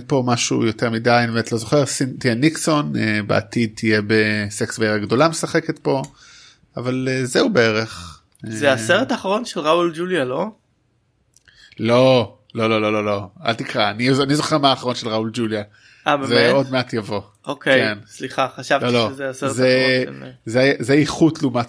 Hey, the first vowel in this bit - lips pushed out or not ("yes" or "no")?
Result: yes